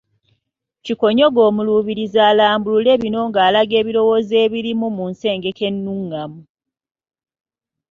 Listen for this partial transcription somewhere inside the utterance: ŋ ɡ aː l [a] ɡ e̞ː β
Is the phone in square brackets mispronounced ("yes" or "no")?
no